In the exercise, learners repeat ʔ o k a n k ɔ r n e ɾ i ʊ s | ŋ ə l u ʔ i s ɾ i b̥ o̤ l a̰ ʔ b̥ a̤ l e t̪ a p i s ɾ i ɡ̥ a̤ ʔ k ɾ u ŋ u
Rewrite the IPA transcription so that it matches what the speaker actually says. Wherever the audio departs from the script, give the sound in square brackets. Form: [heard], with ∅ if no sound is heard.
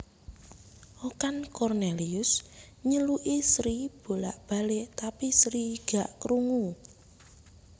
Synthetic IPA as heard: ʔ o k a n k ɔ r n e [l] i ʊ s | [ɲ] ə l u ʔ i s ɾ i b̥ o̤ l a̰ ʔ b̥ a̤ l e t̪ a p i s ɾ i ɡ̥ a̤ ʔ k ɾ u ŋ u